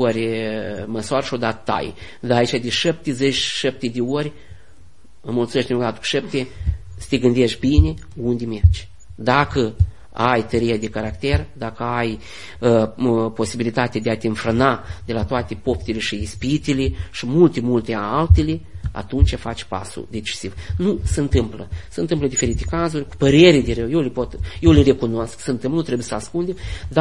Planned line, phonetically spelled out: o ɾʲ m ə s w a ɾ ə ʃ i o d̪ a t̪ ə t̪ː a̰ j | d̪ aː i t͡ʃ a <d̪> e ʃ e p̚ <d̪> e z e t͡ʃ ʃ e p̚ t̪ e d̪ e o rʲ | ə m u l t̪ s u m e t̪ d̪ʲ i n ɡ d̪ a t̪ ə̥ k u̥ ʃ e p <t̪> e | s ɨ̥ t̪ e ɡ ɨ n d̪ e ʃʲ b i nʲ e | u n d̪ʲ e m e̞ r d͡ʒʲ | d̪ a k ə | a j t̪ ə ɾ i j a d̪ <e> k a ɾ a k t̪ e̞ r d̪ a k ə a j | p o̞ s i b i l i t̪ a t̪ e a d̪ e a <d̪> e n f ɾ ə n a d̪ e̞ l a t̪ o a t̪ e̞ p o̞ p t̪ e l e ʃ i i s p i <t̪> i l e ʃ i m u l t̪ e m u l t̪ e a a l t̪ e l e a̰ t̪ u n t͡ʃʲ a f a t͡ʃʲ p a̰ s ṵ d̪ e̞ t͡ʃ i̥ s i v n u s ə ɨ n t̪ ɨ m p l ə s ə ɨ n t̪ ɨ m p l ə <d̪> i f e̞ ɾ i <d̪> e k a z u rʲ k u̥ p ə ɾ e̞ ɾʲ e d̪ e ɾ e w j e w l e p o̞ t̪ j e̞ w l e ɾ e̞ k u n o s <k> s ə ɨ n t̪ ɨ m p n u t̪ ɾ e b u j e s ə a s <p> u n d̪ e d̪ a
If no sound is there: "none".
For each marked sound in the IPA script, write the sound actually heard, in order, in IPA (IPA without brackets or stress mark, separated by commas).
d̪, t̪, t̪, e, t̪, t̪, d̪, t̪, k, k